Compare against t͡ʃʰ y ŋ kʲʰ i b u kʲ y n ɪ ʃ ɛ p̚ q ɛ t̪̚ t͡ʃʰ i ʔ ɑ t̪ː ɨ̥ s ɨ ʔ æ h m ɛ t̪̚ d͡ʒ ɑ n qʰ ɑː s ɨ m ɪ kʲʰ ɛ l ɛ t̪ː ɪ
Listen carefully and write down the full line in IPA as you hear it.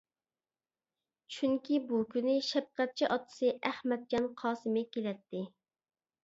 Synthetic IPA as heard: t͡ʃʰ y ŋ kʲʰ i b u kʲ y n ɪ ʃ ɛ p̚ q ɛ t̪̚ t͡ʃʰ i ʔ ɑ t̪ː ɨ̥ s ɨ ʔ æ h m ɛ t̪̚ d͡ʒ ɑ n qʰ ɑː s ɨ m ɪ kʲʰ e l ɛ t̪ː ɪ